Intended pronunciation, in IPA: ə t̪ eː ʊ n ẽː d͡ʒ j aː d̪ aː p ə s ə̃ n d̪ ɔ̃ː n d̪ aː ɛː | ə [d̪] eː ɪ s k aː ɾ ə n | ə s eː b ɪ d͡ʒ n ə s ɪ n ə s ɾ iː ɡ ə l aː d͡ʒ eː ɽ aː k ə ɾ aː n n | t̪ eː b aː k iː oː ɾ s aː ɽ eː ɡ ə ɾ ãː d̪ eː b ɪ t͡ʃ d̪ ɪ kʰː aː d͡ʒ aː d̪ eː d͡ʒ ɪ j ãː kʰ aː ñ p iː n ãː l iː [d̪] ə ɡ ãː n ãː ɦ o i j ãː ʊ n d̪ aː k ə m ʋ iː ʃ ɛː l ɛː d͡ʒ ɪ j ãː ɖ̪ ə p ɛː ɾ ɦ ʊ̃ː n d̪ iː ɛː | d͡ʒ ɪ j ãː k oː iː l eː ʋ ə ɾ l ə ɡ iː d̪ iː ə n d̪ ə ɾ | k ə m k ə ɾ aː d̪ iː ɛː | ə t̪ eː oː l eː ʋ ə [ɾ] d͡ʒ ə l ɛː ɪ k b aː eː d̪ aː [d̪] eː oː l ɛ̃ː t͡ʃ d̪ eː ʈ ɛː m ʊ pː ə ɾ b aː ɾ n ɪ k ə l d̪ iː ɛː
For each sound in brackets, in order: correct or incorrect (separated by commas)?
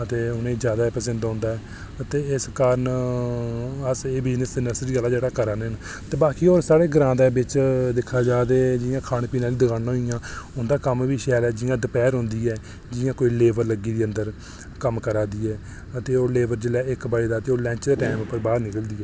incorrect, correct, correct, incorrect